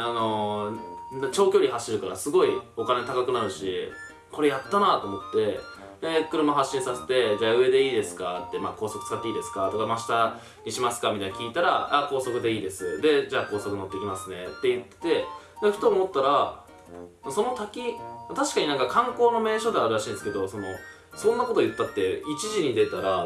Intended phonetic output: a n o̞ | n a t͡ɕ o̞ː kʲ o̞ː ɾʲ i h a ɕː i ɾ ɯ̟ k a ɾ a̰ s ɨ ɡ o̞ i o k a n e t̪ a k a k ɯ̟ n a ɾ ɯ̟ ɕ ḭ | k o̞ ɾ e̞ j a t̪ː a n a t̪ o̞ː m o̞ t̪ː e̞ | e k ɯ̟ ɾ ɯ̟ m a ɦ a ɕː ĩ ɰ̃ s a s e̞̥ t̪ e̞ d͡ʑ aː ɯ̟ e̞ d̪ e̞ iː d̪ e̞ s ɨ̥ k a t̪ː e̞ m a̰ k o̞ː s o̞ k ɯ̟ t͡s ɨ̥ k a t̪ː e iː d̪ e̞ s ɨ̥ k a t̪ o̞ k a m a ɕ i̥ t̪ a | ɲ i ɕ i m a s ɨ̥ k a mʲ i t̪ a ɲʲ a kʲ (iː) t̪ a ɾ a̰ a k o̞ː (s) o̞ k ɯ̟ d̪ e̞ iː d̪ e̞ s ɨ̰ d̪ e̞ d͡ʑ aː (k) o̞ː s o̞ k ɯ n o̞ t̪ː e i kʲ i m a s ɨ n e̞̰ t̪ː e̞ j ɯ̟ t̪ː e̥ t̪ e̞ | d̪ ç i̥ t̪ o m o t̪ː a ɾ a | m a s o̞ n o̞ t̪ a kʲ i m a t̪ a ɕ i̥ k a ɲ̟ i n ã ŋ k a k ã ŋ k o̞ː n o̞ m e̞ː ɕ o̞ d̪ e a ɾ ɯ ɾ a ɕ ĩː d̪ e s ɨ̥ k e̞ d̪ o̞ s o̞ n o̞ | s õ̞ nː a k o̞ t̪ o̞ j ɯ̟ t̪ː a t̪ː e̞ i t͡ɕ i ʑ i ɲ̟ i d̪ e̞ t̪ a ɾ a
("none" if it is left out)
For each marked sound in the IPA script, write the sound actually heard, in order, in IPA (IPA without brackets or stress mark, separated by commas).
iː, s, k